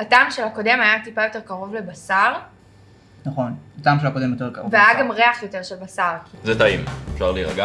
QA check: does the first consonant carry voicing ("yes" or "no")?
no